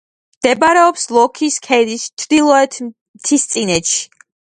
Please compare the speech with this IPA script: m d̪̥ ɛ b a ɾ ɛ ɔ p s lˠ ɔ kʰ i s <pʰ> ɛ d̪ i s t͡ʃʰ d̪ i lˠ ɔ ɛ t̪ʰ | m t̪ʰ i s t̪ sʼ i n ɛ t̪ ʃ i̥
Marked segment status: incorrect: kʰ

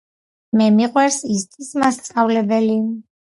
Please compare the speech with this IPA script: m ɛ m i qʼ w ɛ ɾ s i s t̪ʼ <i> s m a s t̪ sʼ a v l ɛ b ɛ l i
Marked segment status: correct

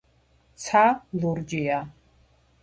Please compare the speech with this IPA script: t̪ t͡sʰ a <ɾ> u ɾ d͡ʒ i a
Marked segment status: incorrect: l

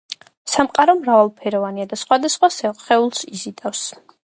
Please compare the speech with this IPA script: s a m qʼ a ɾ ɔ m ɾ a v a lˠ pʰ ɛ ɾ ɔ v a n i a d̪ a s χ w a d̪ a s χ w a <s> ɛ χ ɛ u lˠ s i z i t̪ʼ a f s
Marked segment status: correct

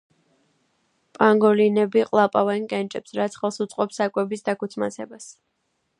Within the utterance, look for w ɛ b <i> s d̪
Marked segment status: correct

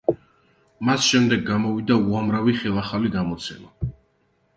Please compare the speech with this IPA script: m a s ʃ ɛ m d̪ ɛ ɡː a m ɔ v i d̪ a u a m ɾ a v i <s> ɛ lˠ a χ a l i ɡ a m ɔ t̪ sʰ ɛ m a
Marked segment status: incorrect: χ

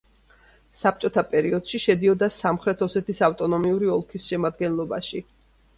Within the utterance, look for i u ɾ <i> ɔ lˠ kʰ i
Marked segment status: correct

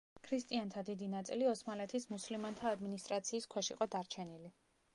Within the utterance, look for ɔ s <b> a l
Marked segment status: incorrect: m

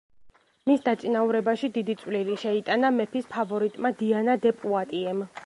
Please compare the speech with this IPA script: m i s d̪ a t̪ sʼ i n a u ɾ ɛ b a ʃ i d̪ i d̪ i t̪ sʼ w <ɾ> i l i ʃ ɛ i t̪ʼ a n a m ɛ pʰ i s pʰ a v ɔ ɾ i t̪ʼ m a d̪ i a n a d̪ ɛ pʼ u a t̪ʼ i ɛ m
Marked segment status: incorrect: l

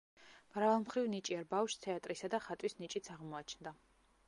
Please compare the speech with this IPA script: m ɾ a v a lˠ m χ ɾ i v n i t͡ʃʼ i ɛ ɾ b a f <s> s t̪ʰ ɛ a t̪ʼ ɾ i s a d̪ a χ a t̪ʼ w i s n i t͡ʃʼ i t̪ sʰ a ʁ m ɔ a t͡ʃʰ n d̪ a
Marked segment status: incorrect: ʃ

